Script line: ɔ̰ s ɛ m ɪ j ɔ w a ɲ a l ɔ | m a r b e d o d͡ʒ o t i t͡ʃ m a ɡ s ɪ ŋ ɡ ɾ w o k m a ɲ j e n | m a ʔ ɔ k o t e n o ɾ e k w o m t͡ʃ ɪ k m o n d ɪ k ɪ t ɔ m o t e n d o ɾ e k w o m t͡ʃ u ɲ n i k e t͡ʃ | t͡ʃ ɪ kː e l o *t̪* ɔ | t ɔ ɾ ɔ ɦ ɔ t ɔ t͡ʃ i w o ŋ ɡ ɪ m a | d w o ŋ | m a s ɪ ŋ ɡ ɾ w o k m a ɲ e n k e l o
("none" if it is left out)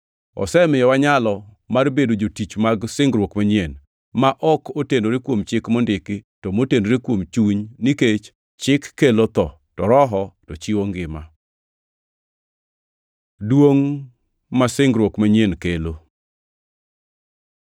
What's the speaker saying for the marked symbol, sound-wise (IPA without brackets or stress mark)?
t̪